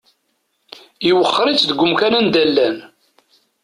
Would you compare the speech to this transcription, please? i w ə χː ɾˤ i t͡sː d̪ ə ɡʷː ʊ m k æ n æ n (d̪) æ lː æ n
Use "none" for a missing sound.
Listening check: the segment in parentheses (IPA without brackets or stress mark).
d̪